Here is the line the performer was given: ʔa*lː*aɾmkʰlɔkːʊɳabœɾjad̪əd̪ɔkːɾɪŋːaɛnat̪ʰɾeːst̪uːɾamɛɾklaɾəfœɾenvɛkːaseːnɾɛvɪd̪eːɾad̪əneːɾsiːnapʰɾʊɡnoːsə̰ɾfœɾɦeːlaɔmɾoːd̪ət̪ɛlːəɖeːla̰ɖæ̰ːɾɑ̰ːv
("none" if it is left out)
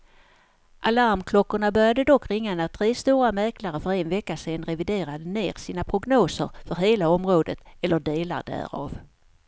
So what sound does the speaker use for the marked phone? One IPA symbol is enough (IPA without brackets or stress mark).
l